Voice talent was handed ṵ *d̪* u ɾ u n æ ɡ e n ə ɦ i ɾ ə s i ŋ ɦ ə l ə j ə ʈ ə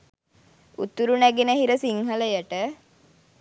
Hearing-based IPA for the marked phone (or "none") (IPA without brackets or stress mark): t̪